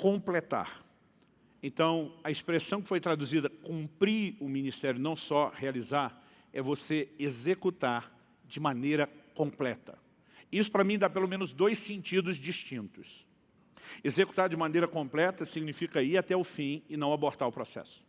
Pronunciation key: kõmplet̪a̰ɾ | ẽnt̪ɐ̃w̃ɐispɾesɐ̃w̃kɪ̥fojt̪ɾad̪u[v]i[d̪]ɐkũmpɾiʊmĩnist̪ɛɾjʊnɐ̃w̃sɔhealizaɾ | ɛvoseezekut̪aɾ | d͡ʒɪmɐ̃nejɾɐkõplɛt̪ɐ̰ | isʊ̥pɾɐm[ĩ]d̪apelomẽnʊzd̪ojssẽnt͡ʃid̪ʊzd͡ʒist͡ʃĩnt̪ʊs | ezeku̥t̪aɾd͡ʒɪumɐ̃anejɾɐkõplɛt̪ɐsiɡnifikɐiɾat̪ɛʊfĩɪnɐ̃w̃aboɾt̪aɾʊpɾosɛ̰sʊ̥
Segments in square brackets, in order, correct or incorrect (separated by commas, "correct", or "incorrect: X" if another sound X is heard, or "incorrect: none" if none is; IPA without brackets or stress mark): incorrect: z, correct, correct